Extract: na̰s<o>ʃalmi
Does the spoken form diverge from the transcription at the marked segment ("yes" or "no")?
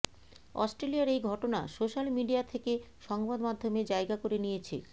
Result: no